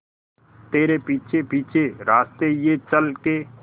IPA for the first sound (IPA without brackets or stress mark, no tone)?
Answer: t̪